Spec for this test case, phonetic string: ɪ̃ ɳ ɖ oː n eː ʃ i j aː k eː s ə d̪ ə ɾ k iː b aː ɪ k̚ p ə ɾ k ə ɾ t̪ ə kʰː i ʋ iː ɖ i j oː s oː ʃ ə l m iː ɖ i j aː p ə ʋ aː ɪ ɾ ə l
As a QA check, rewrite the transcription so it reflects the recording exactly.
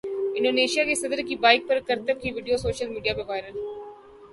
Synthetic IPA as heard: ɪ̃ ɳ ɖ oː n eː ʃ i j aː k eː s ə d̪ ə ɾ k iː b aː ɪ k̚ p ə ɾ k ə ɾ t̪ ə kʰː i ʋ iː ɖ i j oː s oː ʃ ə l m iː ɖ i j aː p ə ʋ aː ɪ ɾ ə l